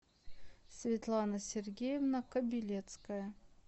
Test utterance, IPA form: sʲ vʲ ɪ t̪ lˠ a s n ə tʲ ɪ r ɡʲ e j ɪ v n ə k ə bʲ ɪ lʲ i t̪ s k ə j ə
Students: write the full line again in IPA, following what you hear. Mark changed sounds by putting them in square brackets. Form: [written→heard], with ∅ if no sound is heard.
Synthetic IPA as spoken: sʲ vʲ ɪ t̪ lˠ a [s→∅] n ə [tʲ→sʲ] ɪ r ɡʲ e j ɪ v n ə k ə bʲ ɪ lʲ [i→e] t̪ s k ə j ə